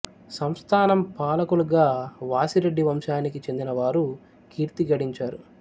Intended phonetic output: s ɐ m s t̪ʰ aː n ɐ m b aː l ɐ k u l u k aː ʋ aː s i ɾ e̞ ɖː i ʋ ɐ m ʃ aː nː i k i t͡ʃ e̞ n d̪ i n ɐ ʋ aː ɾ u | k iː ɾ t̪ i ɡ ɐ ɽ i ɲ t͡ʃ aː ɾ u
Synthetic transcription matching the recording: s ɐ m s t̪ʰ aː n ɐ m p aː l ɐ k u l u ɡ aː ʋ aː s i ɾ e̞ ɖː i ʋ ɐ m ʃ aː n i k i t͡ʃ e̞ n d̪ i n ɐ ʋ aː ɾ u | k iː ɾ t̪ i ɡ ɐ ɽ i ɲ t͡ʃ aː ɾ u